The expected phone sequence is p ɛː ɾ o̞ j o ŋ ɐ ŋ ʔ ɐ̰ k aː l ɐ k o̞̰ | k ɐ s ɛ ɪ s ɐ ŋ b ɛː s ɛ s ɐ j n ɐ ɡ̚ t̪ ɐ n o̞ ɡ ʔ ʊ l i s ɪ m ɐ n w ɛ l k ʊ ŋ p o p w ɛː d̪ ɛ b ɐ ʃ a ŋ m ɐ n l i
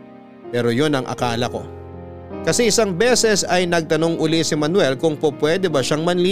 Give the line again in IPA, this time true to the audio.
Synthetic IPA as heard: p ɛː ɾ o̞ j o n ɐ ŋ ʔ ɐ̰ k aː l ɐ k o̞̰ | k ɐ s ɛ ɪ s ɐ ŋ b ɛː s ɛ s ɐ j n ɐ ɡ̚ t̪ ɐ n o̞ ŋ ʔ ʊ l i s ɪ m ɐ n w ɛ l k ʊ ŋ p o p w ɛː d̪ ɛ b ɐ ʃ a ŋ m ɐ n l i